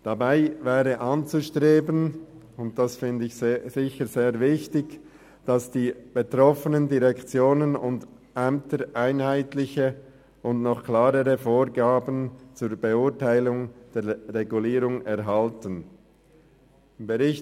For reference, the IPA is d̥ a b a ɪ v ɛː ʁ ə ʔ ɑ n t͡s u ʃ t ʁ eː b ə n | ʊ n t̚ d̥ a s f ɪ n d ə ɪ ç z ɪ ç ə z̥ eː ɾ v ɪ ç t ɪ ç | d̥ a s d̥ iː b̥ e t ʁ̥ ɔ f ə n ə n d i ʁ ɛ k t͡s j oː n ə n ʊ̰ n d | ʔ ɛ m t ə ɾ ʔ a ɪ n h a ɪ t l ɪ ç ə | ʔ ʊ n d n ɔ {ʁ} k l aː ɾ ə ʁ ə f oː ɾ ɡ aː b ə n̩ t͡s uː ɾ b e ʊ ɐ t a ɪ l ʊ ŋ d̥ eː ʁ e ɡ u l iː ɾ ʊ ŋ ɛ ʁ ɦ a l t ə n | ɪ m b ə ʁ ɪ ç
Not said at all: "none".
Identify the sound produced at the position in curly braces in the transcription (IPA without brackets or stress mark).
χ